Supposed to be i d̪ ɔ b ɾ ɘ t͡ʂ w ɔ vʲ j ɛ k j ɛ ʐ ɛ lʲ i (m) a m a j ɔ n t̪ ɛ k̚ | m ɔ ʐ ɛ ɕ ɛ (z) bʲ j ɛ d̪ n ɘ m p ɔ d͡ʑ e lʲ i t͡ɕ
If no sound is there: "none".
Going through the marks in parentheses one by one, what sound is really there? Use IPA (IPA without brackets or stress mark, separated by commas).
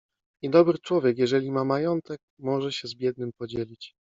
m, z